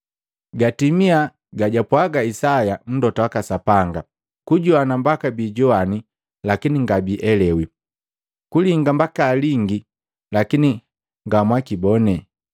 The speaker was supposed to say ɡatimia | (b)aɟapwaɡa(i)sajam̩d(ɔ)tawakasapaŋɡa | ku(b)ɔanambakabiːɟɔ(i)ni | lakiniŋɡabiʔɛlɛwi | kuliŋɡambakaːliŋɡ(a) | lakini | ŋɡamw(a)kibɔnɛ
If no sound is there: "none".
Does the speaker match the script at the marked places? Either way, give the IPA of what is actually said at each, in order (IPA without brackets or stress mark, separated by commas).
ɡ, i, ɔ, ɟ, a, i, a